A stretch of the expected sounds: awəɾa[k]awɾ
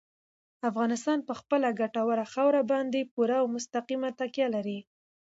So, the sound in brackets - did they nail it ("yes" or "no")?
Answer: no